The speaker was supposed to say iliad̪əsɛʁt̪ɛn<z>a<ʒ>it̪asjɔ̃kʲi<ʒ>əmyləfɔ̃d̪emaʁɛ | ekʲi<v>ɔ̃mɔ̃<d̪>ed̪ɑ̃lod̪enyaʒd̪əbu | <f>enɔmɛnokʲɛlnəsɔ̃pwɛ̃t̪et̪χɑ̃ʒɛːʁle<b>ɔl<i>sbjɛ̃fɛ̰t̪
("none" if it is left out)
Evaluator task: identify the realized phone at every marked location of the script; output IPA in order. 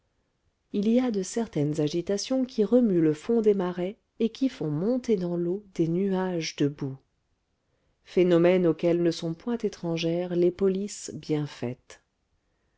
z, ʒ, ʁ, f, t̪, f, p, i

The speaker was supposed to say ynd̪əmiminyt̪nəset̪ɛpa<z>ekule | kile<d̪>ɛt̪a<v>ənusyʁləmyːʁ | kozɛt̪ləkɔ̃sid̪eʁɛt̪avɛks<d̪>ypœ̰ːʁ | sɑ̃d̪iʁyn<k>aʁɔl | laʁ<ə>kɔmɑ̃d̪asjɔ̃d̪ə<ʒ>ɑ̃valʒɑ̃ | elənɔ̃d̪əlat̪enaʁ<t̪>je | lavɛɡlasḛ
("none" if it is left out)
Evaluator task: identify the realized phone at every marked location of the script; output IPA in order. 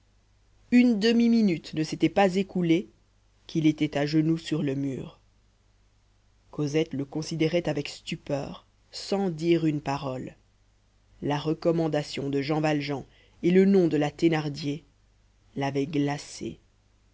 z, t̪, ʒ, t̪, p, ə, ʒ, d̪

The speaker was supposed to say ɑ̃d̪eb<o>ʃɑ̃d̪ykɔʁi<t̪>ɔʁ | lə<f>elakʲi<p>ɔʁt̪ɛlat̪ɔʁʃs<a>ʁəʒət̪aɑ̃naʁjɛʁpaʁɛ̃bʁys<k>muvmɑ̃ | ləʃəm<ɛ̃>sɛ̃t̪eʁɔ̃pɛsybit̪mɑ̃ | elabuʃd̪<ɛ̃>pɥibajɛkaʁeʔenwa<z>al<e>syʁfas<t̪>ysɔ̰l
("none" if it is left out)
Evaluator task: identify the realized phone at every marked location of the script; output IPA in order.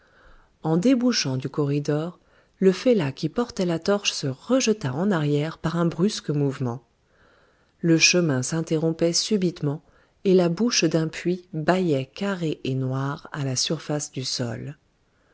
u, d̪, f, p, ə, k, ɛ̃, ɛ̃, ʁ, a, d̪

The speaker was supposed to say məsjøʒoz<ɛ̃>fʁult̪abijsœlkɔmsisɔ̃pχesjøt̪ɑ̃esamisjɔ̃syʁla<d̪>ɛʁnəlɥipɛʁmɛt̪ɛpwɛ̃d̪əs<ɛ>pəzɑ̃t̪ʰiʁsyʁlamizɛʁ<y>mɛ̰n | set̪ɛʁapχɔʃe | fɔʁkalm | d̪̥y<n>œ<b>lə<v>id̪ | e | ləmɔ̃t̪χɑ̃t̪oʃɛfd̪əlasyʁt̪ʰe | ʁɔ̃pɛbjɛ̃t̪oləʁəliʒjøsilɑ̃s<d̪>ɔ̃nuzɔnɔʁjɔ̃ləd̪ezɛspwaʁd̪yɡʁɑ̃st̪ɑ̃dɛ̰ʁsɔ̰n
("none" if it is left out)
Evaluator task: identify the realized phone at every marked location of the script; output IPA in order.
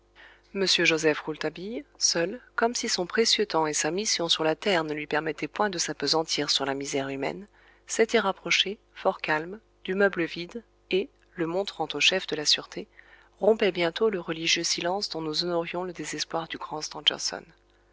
ɛ, t̪, a, y, m, b, v, d̪

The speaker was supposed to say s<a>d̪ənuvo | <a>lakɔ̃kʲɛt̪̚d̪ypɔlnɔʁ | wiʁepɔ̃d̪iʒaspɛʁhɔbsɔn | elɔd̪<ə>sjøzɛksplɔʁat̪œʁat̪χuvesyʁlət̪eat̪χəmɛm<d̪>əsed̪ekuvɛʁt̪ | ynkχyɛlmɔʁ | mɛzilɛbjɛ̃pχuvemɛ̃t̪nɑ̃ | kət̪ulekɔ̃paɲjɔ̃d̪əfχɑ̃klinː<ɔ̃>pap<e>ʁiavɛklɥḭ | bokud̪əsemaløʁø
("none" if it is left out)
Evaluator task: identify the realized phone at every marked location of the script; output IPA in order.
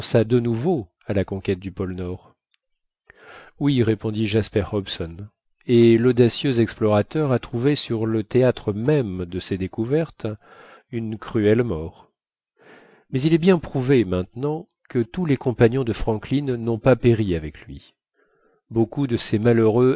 a, a, a, d̪, ɔ̃, e

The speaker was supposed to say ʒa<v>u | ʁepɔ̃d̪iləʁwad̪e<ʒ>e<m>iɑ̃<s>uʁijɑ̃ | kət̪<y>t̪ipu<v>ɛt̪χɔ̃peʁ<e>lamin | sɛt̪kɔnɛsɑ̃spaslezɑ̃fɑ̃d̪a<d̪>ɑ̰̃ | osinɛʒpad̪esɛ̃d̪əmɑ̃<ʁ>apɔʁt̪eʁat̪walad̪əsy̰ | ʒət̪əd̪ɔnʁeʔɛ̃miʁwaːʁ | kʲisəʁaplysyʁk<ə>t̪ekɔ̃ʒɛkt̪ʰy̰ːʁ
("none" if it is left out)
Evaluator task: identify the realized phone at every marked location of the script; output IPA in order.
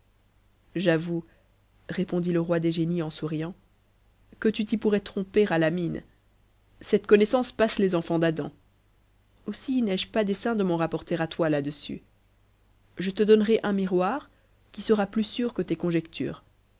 v, ʒ, n, s, y, ʁ, a, d̪, ʁ, ə

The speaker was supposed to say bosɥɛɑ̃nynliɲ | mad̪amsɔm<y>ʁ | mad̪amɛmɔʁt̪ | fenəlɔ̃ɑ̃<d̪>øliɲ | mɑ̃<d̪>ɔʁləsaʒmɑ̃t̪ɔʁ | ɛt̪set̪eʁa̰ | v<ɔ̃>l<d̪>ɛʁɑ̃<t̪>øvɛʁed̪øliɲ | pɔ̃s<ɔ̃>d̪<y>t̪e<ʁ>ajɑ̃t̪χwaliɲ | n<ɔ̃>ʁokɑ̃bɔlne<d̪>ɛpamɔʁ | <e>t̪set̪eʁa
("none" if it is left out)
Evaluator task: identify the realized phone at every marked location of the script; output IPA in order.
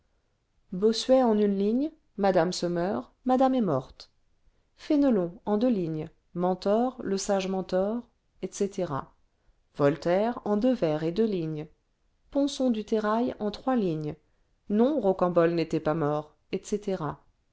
œ, d̪, t̪, ɔ, t̪, d̪, ɔ̃, y, ʁ, ɔ̃, t̪, ɛ

